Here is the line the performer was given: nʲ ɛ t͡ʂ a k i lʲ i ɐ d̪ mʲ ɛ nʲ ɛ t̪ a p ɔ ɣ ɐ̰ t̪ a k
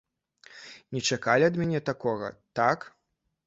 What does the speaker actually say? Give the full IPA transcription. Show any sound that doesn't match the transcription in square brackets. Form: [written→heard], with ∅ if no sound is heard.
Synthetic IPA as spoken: nʲ ɛ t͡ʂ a k [i→a] lʲ i ɐ d̪ mʲ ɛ nʲ ɛ t̪ a [p→k] ɔ ɣ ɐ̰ t̪ a k